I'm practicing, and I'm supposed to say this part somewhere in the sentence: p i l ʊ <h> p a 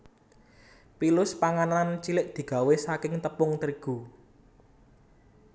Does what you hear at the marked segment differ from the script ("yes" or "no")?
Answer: yes